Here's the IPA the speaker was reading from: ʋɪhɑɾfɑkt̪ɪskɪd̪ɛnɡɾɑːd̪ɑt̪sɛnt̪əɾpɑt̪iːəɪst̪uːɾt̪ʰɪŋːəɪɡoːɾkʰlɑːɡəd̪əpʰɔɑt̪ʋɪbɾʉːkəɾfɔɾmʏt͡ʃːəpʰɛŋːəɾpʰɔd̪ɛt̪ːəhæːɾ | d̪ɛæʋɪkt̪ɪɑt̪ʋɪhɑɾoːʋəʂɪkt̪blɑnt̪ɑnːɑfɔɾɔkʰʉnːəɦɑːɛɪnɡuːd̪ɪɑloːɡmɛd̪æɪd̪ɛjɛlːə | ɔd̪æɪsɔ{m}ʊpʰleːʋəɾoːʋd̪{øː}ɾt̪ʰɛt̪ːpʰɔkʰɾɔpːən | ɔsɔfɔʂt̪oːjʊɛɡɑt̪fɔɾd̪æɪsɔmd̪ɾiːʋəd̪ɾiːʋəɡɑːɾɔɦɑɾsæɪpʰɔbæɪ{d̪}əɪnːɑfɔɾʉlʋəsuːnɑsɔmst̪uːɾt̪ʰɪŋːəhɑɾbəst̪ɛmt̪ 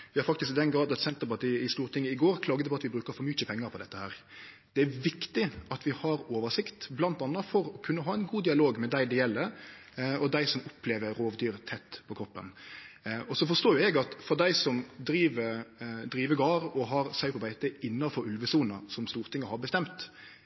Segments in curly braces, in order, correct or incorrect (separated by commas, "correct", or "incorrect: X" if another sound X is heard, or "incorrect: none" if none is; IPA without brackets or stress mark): correct, incorrect: yː, incorrect: t̪